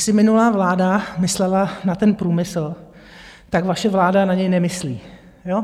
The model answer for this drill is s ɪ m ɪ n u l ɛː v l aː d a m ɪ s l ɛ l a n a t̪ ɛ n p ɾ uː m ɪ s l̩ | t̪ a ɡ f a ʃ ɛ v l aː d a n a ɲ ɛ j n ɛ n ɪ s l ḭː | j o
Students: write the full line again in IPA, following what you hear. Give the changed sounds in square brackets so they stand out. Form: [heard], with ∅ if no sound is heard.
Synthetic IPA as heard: s ɪ m ɪ n u l [aː] v l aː d a m ɪ s l ɛ l a n a t̪ ɛ n p ɾ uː m ɪ s l̩ | t̪ a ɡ [v] a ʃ ɛ v l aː d a n a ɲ ɛ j n ɛ [m] ɪ s l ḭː | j o